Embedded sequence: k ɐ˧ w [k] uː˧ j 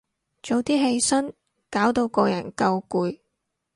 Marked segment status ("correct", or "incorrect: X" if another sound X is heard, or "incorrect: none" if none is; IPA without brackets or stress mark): correct